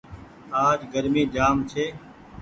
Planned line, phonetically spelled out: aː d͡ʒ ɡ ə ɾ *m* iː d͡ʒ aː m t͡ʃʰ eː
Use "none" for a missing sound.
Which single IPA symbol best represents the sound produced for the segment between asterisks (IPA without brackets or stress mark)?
m